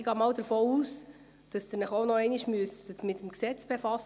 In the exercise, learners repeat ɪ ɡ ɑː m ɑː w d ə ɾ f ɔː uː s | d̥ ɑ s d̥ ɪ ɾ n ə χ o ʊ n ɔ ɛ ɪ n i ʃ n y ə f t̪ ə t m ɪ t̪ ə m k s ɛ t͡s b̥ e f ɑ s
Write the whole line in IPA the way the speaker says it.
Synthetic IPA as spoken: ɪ ɡ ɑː m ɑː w d ə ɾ f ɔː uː s | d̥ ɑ s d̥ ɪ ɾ n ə χ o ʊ n ɔ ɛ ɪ n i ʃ m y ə s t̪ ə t m ɪ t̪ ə m k s ɛ t͡s b̥ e f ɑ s